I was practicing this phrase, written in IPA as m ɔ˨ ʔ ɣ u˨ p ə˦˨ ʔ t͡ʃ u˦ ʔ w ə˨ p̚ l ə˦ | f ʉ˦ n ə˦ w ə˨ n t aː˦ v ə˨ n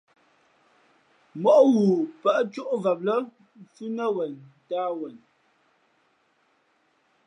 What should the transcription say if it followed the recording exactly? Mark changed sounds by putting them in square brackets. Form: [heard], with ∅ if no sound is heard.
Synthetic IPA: m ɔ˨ ʔ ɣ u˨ p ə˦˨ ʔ t͡ʃ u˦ ʔ [v] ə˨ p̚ l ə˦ | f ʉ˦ n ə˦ w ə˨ n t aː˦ [w] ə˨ n